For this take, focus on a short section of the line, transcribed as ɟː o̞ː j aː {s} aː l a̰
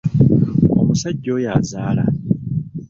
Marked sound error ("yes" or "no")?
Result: yes